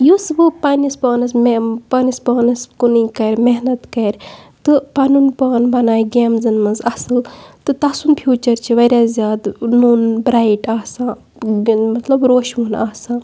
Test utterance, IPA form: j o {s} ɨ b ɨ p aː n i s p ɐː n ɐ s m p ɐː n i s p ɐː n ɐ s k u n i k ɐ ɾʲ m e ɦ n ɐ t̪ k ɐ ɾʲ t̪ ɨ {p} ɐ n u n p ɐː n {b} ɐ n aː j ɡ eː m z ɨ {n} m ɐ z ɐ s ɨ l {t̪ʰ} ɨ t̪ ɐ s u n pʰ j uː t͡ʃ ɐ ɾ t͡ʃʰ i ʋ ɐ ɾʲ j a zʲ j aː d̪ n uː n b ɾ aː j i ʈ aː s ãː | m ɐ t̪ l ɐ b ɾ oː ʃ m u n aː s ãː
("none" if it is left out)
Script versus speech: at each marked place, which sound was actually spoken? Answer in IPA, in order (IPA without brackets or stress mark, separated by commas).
s, p, b, n, t̪